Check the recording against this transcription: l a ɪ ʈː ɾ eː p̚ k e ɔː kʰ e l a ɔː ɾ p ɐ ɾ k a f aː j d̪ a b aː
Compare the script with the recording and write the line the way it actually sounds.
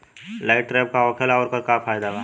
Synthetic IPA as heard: l a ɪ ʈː ɾ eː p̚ k a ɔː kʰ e l a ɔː ɾ k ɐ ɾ k a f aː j d̪ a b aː